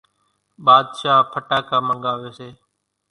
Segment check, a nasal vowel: absent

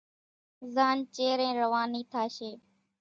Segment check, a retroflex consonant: absent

